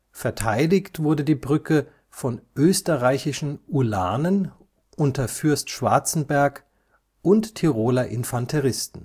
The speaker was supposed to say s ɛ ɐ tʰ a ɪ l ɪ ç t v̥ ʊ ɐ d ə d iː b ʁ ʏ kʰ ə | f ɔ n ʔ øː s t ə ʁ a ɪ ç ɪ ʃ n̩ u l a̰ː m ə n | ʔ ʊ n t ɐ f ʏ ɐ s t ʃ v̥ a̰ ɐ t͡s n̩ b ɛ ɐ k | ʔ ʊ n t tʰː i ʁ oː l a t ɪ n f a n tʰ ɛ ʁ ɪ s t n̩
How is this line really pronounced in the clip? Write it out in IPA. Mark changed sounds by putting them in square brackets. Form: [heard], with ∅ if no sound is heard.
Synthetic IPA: [f] ɛ ɐ tʰ a ɪ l ɪ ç t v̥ ʊ ɐ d ə d iː b ʁ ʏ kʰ ə | f ɔ n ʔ øː s t ə ʁ a ɪ ç ɪ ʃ n̩ u l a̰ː [n] ə n | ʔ ʊ n t ɐ f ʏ ɐ s t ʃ v̥ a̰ ɐ t͡s n̩ b ɛ ɐ k | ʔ ʊ n t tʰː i ʁ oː l a [ʔ] ɪ n f a n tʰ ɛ ʁ ɪ s t n̩